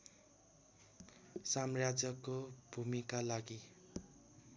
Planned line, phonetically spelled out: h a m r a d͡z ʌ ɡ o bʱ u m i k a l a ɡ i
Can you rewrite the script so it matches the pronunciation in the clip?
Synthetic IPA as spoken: s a m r a d͡z ʌ k o bʱ u m i k a l a ɡ i